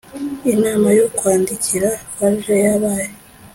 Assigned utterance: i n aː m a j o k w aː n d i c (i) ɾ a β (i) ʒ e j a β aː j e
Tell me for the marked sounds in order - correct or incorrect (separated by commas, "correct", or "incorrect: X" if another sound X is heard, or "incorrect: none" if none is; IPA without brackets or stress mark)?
correct, incorrect: a